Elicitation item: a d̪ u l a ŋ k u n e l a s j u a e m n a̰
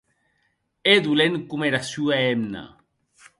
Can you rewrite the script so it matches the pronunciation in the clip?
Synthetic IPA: e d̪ u l e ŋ k u m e ɾ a s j u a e m n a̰